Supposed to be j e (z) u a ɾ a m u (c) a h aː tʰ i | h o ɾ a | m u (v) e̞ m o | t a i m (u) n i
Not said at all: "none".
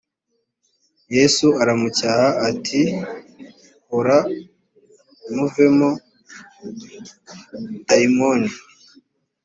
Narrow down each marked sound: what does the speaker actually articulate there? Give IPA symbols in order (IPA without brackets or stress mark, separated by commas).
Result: s, c, v, o